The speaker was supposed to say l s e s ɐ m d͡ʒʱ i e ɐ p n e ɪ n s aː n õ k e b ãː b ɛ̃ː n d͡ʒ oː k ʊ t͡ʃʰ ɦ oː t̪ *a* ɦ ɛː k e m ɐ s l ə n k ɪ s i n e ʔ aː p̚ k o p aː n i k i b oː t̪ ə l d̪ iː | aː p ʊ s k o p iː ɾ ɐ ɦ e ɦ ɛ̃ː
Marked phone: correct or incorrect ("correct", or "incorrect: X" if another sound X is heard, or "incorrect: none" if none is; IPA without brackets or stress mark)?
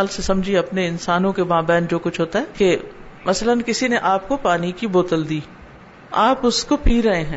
correct